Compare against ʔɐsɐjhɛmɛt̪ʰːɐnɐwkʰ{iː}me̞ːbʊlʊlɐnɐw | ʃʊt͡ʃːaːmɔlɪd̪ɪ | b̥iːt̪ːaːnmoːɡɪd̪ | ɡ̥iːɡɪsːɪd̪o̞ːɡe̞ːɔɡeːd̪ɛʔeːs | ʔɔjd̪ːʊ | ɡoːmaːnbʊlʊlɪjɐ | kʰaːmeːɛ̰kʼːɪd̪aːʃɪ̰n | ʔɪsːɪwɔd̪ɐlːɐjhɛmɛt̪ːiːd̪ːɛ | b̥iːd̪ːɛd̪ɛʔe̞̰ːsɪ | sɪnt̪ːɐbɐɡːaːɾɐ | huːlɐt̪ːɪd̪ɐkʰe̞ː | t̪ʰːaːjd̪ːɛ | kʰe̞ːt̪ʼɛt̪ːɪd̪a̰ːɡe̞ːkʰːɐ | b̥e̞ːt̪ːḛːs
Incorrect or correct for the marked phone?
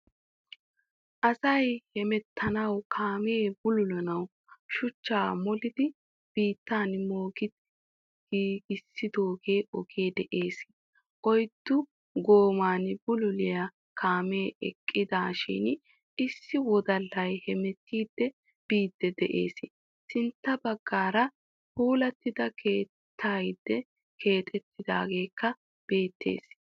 incorrect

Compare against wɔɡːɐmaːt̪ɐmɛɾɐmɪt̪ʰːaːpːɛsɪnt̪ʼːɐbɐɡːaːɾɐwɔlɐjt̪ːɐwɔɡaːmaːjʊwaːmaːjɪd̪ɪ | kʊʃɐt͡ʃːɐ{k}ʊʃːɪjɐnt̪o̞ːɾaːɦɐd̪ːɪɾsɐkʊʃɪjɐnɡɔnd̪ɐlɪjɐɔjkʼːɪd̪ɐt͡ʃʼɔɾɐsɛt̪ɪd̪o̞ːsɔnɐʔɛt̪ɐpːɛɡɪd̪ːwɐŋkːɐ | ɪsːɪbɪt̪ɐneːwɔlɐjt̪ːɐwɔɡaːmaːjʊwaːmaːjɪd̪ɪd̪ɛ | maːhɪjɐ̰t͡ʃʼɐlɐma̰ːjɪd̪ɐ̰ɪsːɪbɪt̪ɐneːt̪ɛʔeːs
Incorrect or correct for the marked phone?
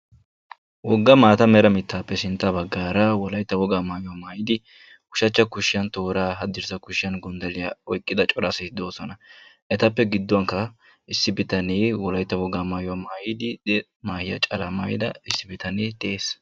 correct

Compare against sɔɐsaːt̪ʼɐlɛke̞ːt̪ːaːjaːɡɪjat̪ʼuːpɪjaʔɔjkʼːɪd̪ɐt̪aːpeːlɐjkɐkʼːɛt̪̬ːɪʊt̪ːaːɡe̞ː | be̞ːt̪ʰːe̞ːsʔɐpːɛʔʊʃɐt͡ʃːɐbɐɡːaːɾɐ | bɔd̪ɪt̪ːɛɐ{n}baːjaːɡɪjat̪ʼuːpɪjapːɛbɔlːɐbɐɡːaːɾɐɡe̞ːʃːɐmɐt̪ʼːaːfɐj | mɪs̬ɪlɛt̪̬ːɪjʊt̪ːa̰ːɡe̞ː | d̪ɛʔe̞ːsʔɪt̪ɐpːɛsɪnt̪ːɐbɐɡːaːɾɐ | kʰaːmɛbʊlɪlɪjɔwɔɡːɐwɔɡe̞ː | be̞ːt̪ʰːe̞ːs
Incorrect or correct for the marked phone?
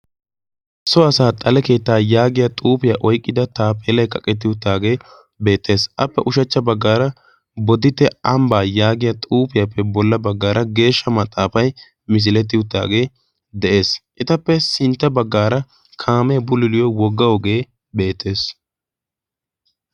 incorrect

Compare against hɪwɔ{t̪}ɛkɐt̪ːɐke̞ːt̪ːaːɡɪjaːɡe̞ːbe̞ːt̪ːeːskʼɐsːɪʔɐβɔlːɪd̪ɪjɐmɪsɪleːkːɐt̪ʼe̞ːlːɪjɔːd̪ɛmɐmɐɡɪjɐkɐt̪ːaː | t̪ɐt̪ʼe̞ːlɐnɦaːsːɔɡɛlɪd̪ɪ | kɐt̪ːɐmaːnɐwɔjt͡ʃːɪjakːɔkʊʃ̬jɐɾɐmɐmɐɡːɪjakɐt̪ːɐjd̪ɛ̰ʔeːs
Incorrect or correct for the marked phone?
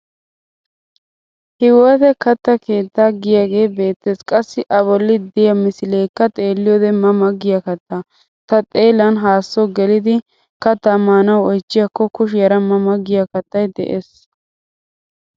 correct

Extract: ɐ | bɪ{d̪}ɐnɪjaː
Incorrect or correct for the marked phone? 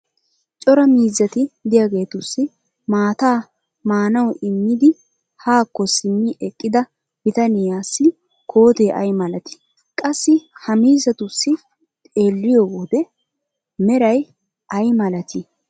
incorrect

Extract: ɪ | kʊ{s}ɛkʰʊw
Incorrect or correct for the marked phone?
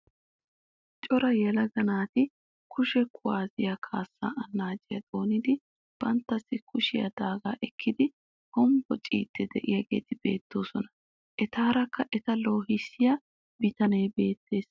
incorrect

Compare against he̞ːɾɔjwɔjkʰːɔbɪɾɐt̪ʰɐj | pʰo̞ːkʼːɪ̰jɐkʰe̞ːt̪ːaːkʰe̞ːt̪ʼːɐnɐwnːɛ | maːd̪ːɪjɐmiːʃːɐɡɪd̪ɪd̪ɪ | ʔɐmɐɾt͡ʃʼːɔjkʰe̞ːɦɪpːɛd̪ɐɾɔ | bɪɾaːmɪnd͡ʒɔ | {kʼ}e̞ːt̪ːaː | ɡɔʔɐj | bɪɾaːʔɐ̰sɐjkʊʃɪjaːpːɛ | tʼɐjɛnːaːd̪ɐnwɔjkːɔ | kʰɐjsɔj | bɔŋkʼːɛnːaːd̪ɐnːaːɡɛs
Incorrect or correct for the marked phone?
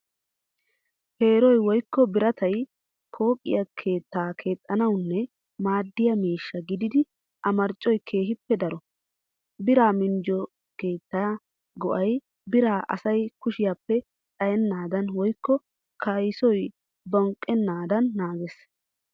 incorrect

